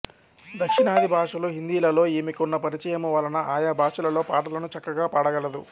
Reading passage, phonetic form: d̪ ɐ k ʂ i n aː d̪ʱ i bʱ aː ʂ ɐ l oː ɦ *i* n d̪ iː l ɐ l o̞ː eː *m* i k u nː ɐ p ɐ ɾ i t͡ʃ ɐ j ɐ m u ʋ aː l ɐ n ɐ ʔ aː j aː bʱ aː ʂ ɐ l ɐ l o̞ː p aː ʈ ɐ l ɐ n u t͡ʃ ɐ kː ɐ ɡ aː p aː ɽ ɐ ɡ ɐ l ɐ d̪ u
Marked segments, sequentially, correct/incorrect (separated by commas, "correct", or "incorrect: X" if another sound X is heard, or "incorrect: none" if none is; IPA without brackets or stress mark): correct, correct